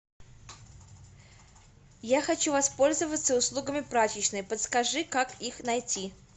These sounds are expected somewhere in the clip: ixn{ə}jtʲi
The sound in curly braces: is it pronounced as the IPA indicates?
no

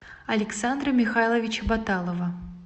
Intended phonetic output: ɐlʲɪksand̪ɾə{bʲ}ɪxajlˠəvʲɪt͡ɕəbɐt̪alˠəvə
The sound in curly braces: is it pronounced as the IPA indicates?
no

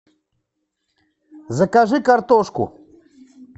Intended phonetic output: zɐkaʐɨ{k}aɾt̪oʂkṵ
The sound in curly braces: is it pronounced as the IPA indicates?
yes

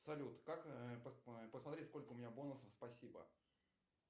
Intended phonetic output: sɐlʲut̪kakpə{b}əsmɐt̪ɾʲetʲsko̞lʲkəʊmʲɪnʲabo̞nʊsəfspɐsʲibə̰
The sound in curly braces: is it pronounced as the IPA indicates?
no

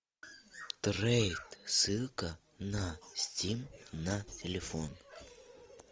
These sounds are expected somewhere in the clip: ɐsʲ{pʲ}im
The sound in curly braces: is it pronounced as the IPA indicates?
no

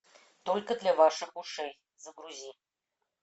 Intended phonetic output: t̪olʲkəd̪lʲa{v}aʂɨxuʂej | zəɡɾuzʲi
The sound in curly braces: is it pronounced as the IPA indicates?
yes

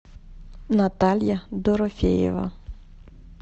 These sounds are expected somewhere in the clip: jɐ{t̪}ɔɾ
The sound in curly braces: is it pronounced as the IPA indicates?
no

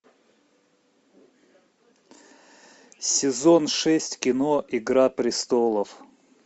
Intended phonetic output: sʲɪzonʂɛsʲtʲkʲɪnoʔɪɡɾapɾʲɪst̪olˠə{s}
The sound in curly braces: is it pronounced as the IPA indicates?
no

